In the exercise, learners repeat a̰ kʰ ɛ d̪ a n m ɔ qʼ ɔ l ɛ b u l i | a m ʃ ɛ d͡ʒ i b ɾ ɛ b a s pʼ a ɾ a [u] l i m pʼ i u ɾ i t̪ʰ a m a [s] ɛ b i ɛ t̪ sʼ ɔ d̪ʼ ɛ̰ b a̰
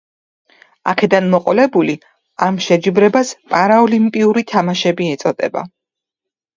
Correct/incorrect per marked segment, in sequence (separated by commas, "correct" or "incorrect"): incorrect, incorrect